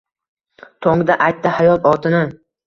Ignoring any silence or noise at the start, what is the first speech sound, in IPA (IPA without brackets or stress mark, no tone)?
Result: t̪ʰ